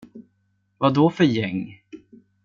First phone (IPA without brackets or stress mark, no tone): v